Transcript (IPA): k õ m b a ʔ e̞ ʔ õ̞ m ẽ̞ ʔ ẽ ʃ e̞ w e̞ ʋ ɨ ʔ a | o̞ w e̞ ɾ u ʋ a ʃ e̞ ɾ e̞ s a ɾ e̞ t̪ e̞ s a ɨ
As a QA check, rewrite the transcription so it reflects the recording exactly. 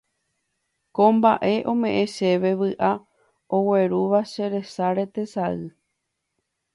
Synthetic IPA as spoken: k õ m b a ʔ e̞ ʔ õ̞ m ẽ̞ ʔ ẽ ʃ e̞ ʋ e̞ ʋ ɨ ʔ a | o̞ w e̞ ɾ u ʋ a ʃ e̞ ɾ e̞ s a ɾ e̞ t̪ e̞ s a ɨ